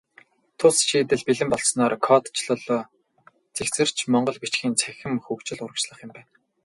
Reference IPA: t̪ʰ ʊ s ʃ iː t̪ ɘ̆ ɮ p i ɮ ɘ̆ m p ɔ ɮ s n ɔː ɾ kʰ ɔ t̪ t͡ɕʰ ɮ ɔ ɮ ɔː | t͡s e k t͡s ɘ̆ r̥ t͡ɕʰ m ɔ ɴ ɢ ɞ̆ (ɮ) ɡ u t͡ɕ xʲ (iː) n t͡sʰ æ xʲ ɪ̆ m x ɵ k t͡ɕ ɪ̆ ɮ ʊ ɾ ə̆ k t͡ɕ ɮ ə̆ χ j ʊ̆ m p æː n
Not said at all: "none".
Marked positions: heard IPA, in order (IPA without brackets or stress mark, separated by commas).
ɮ, iː